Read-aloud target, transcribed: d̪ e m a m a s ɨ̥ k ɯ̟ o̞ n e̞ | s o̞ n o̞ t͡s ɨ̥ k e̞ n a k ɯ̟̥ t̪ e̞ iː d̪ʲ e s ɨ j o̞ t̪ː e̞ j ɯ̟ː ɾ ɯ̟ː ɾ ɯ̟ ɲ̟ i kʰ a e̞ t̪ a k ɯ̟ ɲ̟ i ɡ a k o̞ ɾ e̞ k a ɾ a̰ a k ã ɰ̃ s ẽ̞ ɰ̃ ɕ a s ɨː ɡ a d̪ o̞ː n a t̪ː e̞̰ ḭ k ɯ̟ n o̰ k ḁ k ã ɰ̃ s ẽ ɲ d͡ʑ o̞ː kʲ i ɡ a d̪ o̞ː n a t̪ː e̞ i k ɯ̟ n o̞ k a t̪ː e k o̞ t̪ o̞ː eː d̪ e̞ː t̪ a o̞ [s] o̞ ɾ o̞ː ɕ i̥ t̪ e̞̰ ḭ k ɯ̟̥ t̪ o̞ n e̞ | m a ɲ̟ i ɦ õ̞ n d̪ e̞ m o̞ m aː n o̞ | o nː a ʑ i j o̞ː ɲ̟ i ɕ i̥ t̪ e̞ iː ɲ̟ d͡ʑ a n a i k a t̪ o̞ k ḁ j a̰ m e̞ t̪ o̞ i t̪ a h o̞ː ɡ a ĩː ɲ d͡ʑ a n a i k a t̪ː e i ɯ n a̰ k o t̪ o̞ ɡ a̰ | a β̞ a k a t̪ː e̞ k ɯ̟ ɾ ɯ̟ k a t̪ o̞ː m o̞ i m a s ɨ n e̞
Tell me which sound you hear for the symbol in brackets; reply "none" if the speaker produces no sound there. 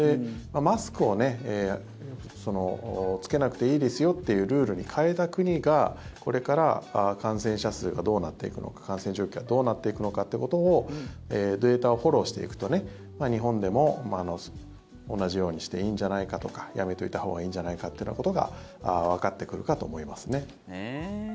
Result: h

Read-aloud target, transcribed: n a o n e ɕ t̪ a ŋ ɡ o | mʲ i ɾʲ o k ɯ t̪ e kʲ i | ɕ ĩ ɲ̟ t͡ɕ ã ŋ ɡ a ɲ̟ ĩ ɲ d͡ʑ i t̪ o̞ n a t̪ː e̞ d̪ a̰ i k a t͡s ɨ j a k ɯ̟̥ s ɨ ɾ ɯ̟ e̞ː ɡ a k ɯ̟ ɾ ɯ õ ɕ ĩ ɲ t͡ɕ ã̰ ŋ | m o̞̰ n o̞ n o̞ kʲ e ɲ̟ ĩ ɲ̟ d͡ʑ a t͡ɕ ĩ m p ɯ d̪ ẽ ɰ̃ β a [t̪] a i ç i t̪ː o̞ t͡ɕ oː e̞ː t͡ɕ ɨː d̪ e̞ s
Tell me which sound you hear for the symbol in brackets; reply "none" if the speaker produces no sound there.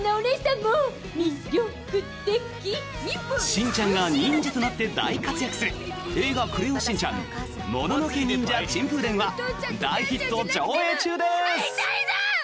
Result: d̪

